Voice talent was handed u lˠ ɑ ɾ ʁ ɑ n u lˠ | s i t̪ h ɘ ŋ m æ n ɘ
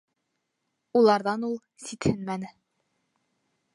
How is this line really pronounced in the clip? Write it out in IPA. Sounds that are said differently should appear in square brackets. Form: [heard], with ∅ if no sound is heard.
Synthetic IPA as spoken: u lˠ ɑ ɾ [ð] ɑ n u lˠ | s i t̪ h ɘ [n] m æ n ɘ